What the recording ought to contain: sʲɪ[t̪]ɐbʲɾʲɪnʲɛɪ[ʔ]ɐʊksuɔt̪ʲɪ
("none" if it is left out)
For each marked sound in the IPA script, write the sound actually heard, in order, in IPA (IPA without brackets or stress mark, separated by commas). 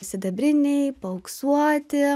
d̪, p